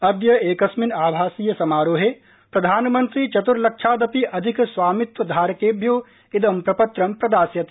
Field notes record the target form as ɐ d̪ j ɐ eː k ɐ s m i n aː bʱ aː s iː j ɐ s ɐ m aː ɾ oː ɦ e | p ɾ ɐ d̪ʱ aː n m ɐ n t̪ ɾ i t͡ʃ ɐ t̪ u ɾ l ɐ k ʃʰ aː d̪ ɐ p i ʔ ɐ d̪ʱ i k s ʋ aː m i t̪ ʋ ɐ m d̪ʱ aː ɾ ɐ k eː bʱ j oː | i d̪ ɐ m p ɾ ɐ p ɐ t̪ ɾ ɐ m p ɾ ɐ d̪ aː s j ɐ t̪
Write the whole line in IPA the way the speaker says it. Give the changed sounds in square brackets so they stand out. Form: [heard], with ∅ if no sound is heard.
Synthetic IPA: ɐ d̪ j ɐ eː k ɐ s m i n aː bʱ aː s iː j ɐ s ɐ m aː ɾ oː ɦ e | p ɾ ɐ d̪ʱ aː n m ɐ n t̪ ɾ i t͡ʃ ɐ t̪ u ɾ l ɐ k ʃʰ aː d̪ ɐ p i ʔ ɐ d̪ʱ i k s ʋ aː m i t̪ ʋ ɐ [∅] d̪ʱ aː ɾ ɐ k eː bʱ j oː | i d̪ ɐ m p ɾ ɐ p ɐ t̪ ɾ ɐ m p ɾ ɐ d̪ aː s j ɐ t̪